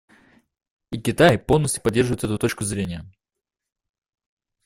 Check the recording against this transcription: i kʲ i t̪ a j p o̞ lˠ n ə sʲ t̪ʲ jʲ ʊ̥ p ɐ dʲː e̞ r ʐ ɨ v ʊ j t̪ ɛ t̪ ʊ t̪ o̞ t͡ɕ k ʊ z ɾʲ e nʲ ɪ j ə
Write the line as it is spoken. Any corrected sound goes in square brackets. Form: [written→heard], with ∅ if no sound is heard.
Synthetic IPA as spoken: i kʲ [i→ɪ] t̪ a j p o̞ lˠ n ə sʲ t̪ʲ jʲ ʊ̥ p ɐ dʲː e̞ r ʐ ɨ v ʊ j t̪ ɛ t̪ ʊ t̪ o̞ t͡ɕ k ʊ z ɾʲ e nʲ ɪ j ə